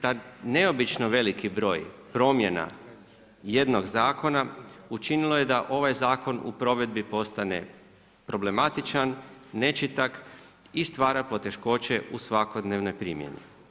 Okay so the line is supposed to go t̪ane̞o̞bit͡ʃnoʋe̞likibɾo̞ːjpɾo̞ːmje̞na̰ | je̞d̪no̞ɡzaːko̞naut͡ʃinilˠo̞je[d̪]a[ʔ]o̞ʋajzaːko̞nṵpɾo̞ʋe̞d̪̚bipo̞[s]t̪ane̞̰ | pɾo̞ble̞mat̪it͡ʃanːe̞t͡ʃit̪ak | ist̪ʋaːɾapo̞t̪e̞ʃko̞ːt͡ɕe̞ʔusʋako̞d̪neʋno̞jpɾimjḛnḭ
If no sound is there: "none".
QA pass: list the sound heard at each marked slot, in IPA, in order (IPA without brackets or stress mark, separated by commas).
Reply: d̪, ʔ, s